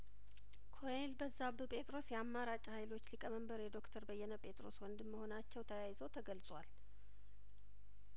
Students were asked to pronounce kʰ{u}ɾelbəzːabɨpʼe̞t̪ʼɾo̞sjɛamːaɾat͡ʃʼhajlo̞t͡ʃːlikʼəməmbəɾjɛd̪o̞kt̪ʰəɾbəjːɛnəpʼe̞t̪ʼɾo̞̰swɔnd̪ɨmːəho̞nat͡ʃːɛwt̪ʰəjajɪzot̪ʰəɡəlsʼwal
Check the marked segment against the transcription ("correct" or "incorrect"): incorrect